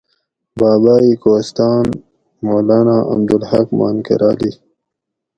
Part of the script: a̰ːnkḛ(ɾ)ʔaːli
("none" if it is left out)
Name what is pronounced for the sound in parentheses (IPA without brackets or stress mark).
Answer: ɾ